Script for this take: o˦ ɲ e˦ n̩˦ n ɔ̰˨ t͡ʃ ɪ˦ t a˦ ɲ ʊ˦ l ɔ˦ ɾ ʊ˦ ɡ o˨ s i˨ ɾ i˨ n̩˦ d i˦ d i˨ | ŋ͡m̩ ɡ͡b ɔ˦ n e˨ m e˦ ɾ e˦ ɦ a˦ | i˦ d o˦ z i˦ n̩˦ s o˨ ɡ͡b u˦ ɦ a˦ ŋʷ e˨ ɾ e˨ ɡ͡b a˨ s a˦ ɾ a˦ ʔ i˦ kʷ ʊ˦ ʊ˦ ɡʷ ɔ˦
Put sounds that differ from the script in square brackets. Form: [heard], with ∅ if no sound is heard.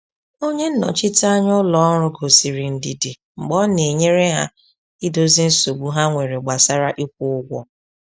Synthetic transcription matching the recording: o˦ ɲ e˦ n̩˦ n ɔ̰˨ t͡ʃ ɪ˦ t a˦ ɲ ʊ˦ l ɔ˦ ɾ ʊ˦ ɡ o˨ s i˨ ɾ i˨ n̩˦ d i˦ d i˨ | ŋ͡m̩ ɡ͡b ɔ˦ n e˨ [ɲ] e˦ ɾ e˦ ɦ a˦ | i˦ d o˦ z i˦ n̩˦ s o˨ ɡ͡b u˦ ɦ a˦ ŋʷ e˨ ɾ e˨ ɡ͡b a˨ s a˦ ɾ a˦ ʔ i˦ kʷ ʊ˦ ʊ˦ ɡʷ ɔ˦